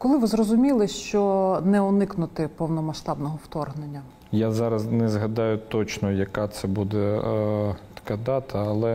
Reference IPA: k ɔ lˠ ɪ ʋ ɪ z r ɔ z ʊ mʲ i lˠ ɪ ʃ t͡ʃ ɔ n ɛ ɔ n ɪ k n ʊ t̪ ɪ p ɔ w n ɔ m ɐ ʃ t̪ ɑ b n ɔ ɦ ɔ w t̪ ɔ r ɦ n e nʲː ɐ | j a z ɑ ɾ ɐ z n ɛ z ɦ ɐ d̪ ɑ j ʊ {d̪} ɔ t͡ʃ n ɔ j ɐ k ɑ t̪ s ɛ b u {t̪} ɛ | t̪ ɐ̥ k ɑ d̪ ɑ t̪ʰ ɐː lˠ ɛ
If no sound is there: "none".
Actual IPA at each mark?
t̪, d̪

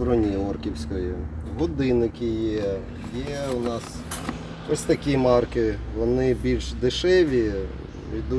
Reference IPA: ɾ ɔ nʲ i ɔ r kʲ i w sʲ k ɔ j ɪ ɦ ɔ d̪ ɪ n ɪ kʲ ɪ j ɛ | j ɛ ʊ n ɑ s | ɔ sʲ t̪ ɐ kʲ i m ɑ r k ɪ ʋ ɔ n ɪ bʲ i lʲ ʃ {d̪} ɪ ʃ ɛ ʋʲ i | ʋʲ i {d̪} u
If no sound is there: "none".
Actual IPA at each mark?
d̪, d̪

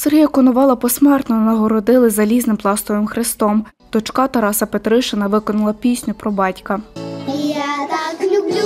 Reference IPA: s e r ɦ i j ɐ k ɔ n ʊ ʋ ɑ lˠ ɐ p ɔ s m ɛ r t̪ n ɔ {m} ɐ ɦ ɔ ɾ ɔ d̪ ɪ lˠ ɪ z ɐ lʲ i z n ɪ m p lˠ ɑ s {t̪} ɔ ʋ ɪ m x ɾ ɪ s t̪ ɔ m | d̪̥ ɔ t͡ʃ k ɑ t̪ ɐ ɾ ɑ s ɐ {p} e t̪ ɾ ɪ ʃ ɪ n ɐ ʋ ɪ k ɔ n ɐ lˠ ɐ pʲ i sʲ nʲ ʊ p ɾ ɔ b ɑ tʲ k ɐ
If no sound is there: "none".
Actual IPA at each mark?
n, t̪, p

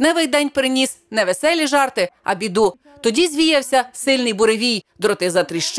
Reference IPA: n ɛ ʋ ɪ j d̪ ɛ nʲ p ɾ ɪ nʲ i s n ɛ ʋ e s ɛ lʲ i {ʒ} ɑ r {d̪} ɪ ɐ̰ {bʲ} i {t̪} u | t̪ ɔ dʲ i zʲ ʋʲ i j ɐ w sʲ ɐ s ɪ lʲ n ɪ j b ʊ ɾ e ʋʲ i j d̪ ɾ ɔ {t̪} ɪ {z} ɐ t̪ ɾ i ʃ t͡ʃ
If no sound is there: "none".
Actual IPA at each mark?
ʒ, t̪, bʲ, d̪, t̪, z

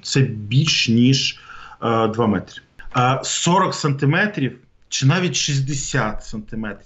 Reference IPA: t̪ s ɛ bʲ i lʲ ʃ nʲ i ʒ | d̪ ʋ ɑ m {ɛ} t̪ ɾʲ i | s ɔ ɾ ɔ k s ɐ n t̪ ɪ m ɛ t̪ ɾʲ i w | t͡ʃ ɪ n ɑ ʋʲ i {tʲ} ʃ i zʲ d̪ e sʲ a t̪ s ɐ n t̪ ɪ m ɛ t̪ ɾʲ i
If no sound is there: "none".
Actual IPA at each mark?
ɛ, tʲ

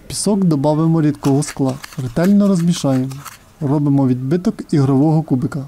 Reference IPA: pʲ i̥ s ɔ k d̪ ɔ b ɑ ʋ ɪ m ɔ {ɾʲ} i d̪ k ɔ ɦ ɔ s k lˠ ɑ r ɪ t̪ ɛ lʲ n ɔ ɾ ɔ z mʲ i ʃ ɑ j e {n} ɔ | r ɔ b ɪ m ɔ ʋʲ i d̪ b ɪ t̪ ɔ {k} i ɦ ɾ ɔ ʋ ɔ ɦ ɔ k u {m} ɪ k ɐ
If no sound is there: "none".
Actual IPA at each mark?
ɾʲ, m, k, b

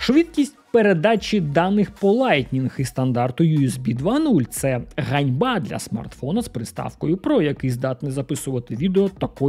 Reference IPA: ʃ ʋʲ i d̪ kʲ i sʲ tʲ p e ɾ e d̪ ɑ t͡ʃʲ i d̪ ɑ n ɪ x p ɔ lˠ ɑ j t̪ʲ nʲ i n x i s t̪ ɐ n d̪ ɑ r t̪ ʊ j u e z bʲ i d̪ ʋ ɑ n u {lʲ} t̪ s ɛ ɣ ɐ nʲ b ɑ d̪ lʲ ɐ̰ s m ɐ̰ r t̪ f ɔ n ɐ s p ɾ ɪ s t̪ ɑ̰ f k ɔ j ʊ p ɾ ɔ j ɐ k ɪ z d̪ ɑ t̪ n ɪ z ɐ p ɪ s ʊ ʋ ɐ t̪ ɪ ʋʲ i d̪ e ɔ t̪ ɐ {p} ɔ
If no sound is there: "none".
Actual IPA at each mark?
lʲ, k

